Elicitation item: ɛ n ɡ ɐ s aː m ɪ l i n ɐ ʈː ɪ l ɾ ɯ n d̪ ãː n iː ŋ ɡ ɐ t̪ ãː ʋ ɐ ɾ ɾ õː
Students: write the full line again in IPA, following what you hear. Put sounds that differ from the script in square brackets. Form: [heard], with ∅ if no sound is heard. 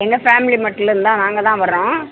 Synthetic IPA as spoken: ɛ [ŋ] ɡ ɐ [f] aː m ɪ l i [m] ɐ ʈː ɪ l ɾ ɯ n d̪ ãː n [aː] ŋ ɡ ɐ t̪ ãː ʋ ɐ ɾ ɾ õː